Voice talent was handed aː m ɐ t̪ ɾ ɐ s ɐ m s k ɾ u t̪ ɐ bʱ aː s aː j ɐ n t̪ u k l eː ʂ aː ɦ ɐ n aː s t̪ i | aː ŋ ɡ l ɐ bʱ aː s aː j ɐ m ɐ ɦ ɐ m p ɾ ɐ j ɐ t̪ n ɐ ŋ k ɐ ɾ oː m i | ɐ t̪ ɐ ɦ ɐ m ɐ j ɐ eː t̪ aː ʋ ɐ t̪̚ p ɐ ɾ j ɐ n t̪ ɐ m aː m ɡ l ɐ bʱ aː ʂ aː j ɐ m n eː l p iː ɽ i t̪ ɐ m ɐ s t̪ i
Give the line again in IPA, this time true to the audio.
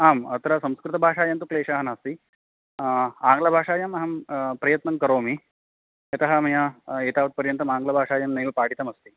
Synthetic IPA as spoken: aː m ɐ t̪ ɾ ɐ s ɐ m s k ɾ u t̪ ɐ bʱ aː ʂ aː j ɐ n t̪ u k l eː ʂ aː ɦ ɐ n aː s t̪ i | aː ŋ ɡ l ɐ bʱ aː ʂ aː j ɐ m ɐ ɦ ɐ m p ɾ ɐ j ɐ t̪ n ɐ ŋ k ɐ ɾ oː m i | ɐ t̪ ɐ ɦ ɐ m ɐ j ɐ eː t̪ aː ʋ ɐ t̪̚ p ɐ ɾ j ɐ n t̪ ɐ m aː ŋ ɡ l ɐ bʱ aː ʂ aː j ɐ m n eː l p aː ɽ i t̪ ɐ m ɐ s t̪ i

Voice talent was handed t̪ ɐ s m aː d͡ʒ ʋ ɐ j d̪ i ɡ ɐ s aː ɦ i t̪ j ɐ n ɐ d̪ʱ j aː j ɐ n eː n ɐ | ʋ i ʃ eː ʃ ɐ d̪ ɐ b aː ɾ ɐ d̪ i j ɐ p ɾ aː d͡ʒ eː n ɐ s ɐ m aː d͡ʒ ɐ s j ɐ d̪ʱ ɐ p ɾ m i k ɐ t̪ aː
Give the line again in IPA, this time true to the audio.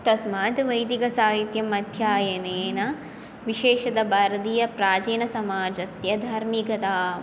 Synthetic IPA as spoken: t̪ ɐ s m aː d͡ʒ ʋ ɐ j d̪ i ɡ ɐ s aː ɦ i t̪ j ɐ m ɐ d̪ʱ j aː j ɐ n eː n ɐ | ʋ i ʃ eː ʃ ɐ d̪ ɐ b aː ɾ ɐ d̪ i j ɐ p ɾ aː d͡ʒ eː n ɐ s ɐ m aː d͡ʒ ɐ s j ɐ d̪ʱ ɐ ɾ m i k ɐ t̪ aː

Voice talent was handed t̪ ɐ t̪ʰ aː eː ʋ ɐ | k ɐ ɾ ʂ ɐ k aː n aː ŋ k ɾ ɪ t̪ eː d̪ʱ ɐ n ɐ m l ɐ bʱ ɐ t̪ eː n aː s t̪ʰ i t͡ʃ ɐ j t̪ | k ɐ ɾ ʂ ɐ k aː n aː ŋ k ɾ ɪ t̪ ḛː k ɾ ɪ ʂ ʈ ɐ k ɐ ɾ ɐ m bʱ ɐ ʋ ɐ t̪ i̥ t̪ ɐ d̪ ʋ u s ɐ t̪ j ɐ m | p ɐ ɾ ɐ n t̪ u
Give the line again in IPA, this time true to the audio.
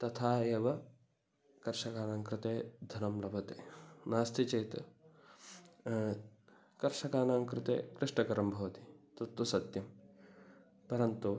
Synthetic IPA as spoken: t̪ ɐ t̪ʰ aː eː ʋ ɐ | k ɐ ɾ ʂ ɐ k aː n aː ŋ k ɾ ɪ t̪ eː d̪ʱ ɐ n ɐ m l ɐ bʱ ɐ t̪ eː n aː s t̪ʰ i t͡ʃ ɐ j t̪ | k ɐ ɾ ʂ ɐ k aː n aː ŋ k ɾ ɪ t̪ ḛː k ɾ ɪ ʂ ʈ ɐ k ɐ ɾ ɐ m bʱ ɐ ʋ ɐ t̪ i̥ t̪ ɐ t̪ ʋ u s ɐ t̪ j ɐ m | p ɐ ɾ ɐ n t̪ u

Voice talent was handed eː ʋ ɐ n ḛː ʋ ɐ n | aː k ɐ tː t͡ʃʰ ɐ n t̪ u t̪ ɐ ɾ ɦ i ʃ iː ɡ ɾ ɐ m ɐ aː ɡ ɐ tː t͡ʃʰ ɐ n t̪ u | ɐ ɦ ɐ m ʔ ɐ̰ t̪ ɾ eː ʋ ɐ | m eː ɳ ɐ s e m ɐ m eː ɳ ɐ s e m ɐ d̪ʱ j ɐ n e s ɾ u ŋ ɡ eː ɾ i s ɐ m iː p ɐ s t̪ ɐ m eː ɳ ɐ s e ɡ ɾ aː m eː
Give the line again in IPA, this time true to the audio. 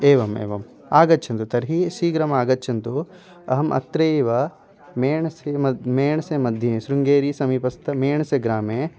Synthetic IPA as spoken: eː ʋ ɐ m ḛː ʋ ɐ m | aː ɡ ɐ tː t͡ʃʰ ɐ n t̪ u t̪ ɐ ɾ ɦ i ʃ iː ɡ ɾ ɐ m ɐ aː ɡ ɐ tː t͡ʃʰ ɐ n t̪ u | ɐ ɦ ɐ m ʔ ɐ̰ t̪ ɾ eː ʋ ɐ | m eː ɳ ɐ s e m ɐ m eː ɳ ɐ s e m ɐ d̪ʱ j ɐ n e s ɾ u ŋ ɡ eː ɾ i s ɐ m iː p ɐ s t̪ ɐ m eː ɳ ɐ s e ɡ ɾ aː m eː

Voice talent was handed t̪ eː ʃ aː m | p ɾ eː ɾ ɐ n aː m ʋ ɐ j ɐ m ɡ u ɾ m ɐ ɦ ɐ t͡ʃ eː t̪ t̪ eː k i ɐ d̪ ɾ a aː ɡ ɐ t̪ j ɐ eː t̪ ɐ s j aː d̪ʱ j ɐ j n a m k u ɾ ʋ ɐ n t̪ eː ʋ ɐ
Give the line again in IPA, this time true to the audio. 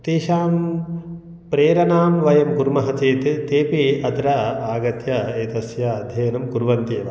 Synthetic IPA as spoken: t̪ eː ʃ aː m | p ɾ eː ɾ ɐ n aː m ʋ ɐ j ɐ m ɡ u ɾ m ɐ ɦ ɐ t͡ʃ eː t̪ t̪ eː p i ɐ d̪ ɾ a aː ɡ ɐ t̪ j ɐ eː t̪ ɐ s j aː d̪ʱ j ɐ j n ɐ m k u ɾ ʋ ɐ n t̪ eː ʋ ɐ

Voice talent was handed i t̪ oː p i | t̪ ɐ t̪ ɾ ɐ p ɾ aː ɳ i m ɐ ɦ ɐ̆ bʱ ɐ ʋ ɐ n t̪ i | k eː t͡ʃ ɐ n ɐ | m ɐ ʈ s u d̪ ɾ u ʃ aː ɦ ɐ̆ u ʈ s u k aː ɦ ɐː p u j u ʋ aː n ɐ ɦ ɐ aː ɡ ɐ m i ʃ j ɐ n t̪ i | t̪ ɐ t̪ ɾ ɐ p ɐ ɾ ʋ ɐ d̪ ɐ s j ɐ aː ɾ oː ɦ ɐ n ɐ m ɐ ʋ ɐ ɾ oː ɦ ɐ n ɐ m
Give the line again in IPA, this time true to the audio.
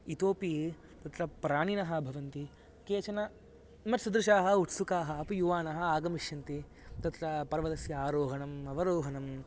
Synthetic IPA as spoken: i t̪ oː p i | t̪ ɐ t̪ ɾ ɐ p ɾ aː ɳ i n ɐ ɦ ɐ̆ bʱ ɐ ʋ ɐ n t̪ i | k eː t͡ʃ ɐ n ɐ | m ɐ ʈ s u d̪ ɾ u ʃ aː ɦ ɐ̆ u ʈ s u k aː ɦ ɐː p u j u ʋ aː n ɐ ɦ ɐ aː ɡ ɐ m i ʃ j ɐ n t̪ i | t̪ ɐ t̪ ɾ ɐ p ɐ ɾ ʋ ɐ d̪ ɐ s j ɐ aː ɾ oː ɦ ɐ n ɐ m ɐ ʋ ɐ ɾ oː ɦ ɐ n ɐ m

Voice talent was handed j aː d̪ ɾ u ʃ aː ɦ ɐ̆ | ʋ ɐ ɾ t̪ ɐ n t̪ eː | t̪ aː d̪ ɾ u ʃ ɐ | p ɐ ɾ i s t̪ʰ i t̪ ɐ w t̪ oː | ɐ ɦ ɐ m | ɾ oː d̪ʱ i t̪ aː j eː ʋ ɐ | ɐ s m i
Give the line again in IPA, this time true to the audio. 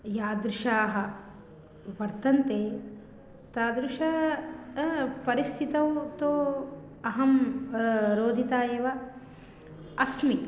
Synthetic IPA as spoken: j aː d̪ ɾ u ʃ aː ɦ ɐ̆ | ʋ ɐ ɾ t̪ ɐ n t̪ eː | t̪ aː d̪ ɾ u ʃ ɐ | p ɐ ɾ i s t̪ʰ i t̪ ɐ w t̪ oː | ɐ ɦ ɐ m | ɾ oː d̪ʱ i t̪ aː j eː ʋ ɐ | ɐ s m i

